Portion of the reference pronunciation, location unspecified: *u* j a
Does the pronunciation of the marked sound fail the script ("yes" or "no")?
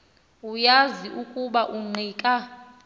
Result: no